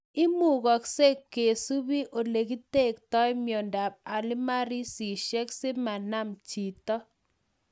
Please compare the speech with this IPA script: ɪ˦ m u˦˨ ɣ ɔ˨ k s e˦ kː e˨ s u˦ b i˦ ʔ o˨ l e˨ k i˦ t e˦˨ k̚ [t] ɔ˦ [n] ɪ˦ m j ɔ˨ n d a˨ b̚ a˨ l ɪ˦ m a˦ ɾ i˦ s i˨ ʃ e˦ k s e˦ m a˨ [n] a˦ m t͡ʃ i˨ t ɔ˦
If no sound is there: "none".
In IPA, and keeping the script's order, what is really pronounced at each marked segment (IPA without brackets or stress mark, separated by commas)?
t, none, n